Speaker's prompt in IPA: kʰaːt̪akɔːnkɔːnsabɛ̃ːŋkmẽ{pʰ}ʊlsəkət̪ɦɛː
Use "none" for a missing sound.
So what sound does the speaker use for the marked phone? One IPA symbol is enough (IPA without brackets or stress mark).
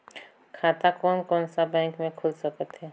kʰ